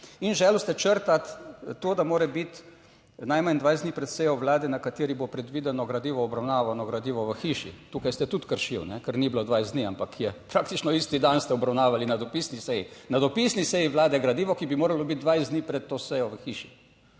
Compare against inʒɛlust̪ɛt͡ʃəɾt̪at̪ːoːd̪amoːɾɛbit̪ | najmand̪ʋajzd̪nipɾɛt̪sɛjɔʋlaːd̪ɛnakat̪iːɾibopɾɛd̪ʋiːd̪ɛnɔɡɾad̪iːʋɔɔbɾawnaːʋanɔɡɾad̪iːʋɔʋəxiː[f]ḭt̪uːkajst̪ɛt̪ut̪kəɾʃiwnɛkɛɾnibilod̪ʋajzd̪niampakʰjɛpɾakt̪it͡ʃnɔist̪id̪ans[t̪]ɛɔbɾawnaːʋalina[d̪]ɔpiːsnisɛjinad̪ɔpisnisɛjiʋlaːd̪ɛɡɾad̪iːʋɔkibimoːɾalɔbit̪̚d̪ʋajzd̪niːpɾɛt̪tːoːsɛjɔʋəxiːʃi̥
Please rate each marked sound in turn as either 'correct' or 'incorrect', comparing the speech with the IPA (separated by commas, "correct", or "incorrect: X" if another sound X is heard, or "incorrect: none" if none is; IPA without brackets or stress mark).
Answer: incorrect: ʃ, correct, correct